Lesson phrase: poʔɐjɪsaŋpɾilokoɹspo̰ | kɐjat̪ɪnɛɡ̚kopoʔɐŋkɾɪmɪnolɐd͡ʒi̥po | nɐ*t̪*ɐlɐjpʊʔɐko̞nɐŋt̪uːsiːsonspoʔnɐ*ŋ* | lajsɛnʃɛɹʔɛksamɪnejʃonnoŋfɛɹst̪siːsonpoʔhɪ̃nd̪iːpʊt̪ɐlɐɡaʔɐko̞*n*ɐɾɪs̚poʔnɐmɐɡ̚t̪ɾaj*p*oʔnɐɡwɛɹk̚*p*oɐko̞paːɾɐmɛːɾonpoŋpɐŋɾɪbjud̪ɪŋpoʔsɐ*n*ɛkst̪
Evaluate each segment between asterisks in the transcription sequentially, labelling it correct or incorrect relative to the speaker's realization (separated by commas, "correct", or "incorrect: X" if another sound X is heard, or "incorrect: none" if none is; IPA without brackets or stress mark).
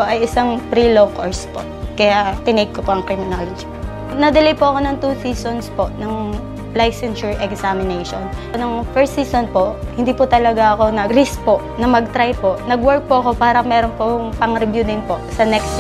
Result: incorrect: d̪, correct, correct, correct, correct, correct